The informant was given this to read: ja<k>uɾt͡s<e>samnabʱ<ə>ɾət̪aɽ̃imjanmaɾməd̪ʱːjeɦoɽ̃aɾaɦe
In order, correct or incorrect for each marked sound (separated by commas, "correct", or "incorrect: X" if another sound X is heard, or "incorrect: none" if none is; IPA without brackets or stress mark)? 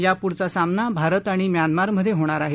incorrect: p, incorrect: a, incorrect: a